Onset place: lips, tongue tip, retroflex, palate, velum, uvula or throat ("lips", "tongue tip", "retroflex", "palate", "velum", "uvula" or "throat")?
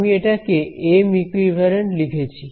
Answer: lips